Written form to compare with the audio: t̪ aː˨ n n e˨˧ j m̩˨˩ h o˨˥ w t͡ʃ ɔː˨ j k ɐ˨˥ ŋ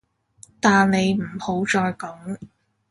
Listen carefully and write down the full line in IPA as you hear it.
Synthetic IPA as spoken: t̪ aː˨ n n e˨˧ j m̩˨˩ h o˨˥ w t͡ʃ ɔː˨ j k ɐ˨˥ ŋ

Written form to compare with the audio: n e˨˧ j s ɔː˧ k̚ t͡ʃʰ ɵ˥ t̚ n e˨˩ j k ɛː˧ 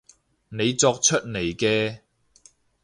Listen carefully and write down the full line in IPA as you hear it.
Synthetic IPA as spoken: n e˨˧ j t͡s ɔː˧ k̚ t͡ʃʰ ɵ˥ t̚ n e˨˩ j k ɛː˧

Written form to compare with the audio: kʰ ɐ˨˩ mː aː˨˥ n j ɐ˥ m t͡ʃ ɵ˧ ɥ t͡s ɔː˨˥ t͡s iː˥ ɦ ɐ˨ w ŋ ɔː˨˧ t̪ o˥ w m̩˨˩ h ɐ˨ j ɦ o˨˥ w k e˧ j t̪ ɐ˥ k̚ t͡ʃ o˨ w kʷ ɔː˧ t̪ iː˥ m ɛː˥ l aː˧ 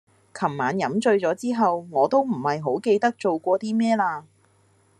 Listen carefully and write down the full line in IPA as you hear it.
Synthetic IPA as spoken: kʰ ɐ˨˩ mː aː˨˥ n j ɐ˨˥ m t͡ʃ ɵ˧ ɥ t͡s ɔː˨˥ t͡s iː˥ ɦ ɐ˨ w ŋ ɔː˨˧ t̪ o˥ w m̩˨˩ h ɐ˨ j ɦ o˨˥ w k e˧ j t̪ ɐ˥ k̚ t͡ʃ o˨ w kʷ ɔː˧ t̪ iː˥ m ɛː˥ l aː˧

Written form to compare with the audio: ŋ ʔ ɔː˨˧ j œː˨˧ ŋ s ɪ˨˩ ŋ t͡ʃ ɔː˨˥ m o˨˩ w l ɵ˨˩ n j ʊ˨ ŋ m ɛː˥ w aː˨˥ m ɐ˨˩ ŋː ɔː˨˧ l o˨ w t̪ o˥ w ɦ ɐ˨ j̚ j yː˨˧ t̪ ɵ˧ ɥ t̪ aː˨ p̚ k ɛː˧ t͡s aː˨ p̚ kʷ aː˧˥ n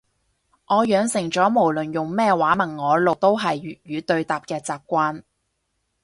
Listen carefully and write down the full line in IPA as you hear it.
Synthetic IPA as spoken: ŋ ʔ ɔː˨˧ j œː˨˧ ŋ s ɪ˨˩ ŋ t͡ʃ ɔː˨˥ m o˨˩ w l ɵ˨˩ n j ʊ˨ ŋ m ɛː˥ w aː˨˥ m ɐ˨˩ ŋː ɔː˨˧ l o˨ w t̪ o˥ w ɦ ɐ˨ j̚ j yː˨˧ t̪ ɵ˧ ɥ t̪ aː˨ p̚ k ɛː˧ t͡s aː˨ p̚ kʷ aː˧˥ n

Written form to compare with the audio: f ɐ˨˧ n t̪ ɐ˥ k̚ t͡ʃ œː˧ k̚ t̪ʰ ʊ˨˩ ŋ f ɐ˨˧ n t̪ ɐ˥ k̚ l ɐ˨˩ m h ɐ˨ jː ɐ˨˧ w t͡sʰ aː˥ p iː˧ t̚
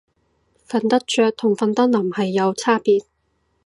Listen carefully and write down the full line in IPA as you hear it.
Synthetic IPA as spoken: f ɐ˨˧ n t̪ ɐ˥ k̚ t͡ʃ œː˧ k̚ t̪ʰ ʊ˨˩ ŋ f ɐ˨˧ n t̪ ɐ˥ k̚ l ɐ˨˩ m h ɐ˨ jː ɐ˨˧ w t͡sʰ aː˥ p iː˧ t̚

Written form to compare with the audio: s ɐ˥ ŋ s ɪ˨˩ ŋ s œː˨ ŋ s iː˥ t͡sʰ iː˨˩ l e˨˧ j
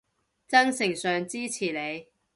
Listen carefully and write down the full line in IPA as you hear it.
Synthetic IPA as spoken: t͡s ɐ˥ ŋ s ɪ˨˩ ŋ s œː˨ ŋ t͡s iː˥ t͡sʰ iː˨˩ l e˨˧ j

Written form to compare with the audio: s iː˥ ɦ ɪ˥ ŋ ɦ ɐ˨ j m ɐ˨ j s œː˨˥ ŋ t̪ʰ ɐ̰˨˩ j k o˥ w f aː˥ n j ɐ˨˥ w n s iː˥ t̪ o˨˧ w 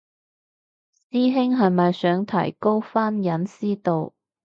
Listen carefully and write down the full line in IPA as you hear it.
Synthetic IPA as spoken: s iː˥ ɦ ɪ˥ ŋ ɦ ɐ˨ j m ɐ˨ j s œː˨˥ ŋ t̪ʰ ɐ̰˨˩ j k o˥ w f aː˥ n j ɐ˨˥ n s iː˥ t̪ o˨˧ w

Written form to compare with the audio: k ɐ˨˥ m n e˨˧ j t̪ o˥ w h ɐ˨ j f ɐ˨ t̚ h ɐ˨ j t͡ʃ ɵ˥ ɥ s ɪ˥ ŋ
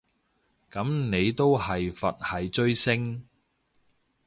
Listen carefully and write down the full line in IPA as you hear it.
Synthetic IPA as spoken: k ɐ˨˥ m n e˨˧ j t̪ o˥ w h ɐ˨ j f ɐ˨ t̚ h ɐ˨ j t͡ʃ ɵ˥ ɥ s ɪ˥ ŋ

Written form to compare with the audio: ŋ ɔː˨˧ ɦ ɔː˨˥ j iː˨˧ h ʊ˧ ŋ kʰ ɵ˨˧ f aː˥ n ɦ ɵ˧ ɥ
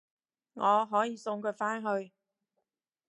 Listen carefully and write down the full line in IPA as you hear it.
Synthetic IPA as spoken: ŋ ɔː˨˧ ɦ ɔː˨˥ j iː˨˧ s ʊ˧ ŋ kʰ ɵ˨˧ f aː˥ n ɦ ɵ˧ ɥ

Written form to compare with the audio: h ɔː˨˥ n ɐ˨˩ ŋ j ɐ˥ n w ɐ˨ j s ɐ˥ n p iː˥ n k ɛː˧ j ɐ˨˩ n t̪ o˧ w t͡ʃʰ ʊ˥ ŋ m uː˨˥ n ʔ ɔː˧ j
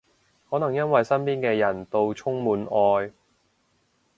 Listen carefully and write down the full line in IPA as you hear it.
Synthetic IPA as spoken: h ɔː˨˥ n ɐ˨˩ ŋ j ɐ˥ n w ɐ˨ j s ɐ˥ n p iː˥ n k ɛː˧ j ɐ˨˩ n t̪ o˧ w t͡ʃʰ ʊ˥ ŋ m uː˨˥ n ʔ ɔː˧ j

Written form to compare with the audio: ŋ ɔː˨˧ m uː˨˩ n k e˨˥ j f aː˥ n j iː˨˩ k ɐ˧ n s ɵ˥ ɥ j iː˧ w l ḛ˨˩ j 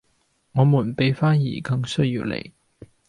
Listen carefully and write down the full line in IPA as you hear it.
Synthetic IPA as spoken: ŋ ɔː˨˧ m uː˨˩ n p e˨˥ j f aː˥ n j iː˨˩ k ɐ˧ ŋ s ɵ˥ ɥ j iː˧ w l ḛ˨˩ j

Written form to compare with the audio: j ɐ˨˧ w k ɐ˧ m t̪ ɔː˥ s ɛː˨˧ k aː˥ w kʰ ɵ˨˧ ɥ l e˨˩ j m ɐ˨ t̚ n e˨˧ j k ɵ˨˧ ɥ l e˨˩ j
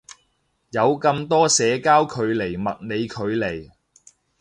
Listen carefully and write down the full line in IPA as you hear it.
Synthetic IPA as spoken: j ɐ˨˧ w k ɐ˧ m t̪ ɔː˥ s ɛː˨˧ k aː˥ w kʰ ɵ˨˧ ɥ l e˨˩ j m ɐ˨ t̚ n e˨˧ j kʰ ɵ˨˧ ɥ l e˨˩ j

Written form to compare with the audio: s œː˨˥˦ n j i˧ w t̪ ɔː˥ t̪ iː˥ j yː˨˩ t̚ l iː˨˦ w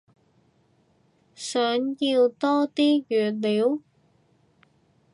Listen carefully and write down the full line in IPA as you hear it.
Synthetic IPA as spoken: s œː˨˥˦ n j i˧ w t̪ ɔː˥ t̪ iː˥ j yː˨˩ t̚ l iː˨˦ w

